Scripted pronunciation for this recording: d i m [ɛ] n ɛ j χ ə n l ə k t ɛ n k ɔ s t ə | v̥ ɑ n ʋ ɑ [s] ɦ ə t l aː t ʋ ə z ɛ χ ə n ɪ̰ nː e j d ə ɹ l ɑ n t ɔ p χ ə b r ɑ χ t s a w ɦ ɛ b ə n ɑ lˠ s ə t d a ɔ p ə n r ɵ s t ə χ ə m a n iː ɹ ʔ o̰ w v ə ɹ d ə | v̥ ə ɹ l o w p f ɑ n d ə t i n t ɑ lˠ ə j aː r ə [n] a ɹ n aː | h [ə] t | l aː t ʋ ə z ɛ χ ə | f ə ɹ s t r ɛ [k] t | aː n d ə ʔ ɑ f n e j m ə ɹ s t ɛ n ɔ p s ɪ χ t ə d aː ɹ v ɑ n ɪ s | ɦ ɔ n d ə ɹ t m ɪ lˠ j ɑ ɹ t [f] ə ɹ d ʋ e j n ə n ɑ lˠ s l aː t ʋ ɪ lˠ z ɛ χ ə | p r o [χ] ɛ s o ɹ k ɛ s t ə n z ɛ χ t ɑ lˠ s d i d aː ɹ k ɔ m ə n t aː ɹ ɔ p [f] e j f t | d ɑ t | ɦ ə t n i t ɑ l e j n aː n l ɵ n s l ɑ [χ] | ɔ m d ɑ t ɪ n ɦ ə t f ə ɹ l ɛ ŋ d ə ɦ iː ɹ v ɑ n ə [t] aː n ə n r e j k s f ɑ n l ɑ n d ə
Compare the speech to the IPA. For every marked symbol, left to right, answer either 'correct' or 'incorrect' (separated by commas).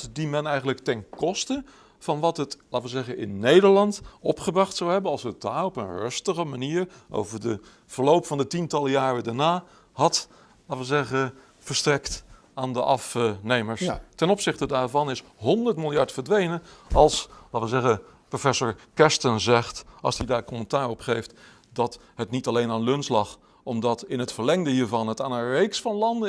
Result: correct, incorrect, incorrect, incorrect, correct, correct, incorrect, incorrect, correct, correct